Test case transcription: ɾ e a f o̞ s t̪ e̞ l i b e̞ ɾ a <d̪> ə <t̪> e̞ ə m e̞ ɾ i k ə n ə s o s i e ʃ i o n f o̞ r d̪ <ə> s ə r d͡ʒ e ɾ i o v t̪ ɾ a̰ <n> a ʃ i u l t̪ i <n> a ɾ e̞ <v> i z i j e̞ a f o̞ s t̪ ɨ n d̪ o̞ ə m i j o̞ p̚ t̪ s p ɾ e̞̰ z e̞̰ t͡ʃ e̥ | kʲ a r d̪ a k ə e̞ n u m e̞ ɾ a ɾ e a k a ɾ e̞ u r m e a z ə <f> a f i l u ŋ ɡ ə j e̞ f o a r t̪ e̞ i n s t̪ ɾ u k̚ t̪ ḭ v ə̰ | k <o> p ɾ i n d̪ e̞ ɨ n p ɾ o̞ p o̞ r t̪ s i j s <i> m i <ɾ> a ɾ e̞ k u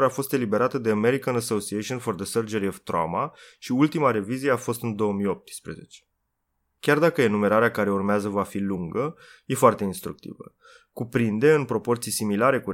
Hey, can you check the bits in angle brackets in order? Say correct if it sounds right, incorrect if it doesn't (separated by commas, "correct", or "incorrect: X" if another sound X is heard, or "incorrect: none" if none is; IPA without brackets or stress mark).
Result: incorrect: t̪, incorrect: d̪, correct, incorrect: m, incorrect: m, correct, incorrect: v, incorrect: u, correct, incorrect: l